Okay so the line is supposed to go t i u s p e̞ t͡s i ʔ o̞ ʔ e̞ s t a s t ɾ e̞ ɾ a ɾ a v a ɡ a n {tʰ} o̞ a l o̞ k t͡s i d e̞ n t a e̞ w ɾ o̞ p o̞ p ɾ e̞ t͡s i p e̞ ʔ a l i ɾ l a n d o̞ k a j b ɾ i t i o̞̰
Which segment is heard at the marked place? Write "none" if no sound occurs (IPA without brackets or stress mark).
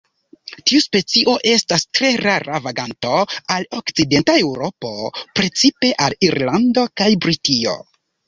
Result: t